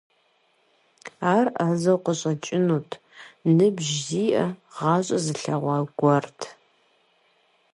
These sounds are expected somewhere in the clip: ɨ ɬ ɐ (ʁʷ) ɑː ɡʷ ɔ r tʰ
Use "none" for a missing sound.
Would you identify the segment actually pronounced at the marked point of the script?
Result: ʁʷ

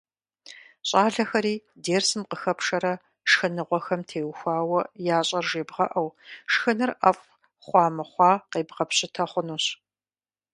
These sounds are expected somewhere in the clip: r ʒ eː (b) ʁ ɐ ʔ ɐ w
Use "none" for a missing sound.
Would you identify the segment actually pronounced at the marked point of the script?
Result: b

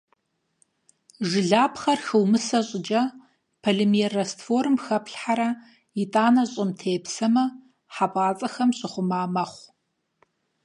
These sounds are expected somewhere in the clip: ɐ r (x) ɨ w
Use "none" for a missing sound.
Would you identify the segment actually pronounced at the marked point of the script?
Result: x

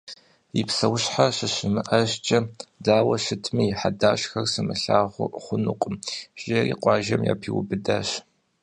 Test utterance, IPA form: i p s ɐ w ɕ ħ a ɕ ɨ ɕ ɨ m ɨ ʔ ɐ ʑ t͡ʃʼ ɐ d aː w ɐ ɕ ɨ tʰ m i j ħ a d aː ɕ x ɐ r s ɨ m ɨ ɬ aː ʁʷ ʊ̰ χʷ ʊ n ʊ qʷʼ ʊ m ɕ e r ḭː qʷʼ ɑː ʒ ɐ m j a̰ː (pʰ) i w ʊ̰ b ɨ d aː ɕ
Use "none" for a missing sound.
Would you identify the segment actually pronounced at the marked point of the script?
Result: pʰ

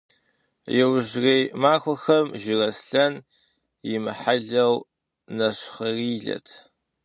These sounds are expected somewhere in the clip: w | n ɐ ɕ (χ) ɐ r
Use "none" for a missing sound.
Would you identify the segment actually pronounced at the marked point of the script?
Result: χ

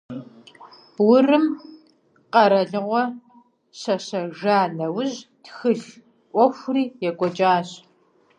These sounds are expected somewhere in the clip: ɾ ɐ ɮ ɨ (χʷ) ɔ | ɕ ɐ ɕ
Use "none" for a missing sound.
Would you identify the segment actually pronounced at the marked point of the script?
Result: ʁʷ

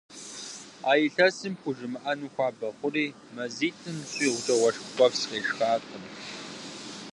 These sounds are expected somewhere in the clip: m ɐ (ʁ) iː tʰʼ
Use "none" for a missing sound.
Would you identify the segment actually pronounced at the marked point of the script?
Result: z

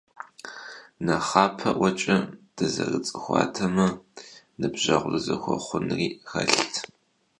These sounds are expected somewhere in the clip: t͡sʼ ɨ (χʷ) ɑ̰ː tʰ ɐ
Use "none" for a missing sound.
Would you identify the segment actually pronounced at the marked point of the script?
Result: xʷ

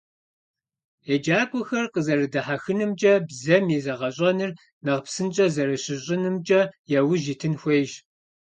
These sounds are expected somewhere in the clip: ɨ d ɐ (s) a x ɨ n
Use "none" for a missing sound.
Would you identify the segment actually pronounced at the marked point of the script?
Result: ħ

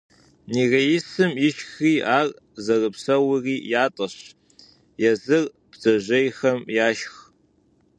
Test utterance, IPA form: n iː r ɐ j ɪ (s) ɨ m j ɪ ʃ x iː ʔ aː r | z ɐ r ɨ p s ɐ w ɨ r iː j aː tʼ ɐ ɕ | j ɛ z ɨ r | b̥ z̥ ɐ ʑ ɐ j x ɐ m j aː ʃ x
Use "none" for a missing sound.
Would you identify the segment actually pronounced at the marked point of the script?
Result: s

